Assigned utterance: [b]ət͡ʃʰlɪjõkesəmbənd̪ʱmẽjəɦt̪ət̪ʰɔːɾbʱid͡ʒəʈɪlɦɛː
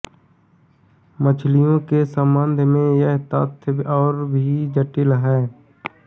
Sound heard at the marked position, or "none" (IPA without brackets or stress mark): m